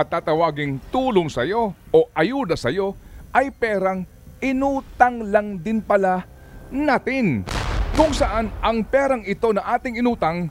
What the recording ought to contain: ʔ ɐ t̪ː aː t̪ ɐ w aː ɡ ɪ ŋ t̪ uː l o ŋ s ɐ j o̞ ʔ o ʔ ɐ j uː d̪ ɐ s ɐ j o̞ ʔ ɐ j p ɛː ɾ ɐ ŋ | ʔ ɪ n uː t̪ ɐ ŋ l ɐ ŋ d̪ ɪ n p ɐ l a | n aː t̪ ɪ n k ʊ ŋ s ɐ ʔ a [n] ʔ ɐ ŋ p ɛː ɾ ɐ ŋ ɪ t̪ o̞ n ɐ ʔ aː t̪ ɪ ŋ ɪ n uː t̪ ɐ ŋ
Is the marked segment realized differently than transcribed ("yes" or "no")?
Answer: no